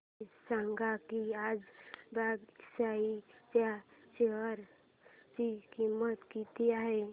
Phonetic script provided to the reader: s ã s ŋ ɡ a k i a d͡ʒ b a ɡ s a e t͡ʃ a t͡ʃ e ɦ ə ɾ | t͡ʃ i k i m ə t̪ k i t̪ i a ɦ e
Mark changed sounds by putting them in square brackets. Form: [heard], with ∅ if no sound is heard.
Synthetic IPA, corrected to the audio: s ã [∅] ŋ ɡ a k i a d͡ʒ b a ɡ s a [i] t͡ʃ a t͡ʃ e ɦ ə ɾ | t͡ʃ i k i m ə t̪ k i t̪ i a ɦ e